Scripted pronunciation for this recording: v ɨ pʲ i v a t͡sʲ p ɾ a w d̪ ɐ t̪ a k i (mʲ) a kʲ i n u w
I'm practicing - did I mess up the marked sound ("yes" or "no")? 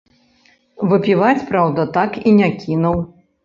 yes